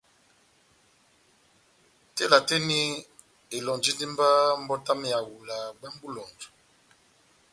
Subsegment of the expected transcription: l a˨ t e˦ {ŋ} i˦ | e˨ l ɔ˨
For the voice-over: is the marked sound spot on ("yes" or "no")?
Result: no